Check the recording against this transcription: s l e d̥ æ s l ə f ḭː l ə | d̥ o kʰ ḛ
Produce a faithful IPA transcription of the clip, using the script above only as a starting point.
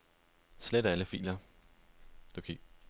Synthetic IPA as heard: s l e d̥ æ l ə f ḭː l ɐ | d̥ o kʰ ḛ